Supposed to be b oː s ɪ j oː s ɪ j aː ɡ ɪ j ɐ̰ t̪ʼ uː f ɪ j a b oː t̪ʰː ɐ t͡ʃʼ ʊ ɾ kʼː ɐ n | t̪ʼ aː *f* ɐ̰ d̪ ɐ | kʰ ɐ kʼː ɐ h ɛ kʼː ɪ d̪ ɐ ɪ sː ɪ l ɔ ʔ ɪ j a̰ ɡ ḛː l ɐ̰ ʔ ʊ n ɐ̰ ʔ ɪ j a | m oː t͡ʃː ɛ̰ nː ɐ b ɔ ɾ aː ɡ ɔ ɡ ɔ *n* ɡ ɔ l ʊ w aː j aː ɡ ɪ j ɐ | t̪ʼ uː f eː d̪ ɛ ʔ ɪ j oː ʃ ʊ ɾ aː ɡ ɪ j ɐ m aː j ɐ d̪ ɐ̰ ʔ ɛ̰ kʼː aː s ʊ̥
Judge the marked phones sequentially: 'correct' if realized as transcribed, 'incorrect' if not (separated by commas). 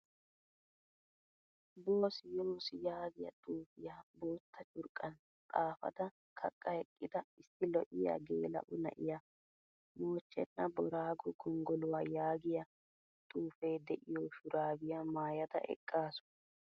correct, incorrect